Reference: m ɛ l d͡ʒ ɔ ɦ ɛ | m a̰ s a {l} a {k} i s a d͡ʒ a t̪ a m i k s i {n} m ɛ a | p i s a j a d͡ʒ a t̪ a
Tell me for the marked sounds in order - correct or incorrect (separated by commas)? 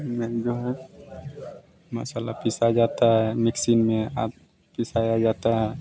correct, incorrect, correct